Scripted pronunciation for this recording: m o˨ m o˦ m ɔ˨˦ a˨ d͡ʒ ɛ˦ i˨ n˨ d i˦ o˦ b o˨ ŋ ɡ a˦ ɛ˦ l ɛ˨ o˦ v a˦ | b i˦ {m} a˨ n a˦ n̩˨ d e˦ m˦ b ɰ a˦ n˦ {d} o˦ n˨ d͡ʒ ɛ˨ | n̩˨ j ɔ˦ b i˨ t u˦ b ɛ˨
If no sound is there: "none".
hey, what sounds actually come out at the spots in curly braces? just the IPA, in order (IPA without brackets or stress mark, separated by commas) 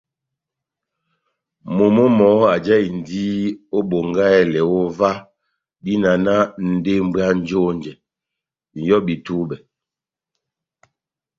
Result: n, d͡ʒ